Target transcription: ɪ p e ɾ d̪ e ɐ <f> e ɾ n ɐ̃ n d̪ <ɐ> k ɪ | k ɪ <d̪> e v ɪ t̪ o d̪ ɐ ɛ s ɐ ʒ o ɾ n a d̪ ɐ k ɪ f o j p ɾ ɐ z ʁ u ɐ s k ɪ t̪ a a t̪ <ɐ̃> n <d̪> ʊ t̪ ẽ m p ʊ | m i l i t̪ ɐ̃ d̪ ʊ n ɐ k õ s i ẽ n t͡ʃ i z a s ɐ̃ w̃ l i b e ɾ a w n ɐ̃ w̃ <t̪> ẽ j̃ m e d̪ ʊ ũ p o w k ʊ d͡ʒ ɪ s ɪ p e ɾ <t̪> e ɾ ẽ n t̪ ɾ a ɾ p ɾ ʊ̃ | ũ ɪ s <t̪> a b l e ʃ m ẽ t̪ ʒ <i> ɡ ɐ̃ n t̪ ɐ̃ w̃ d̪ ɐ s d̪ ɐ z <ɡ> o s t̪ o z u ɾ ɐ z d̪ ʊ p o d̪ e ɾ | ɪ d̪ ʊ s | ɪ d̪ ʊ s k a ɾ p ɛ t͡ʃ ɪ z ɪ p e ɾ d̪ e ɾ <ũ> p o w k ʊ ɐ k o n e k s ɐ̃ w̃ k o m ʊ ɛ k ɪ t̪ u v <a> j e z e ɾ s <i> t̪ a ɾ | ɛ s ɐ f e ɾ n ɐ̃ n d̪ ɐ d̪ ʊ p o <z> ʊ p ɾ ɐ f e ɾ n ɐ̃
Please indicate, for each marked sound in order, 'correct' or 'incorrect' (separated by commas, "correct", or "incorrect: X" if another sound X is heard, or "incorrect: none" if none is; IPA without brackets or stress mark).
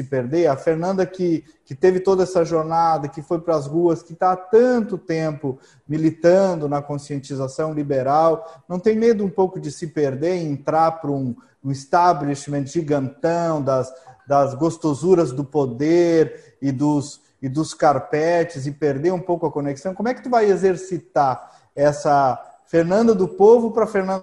correct, correct, incorrect: t̪, correct, incorrect: t̪, correct, incorrect: d̪, correct, correct, correct, correct, correct, correct, incorrect: v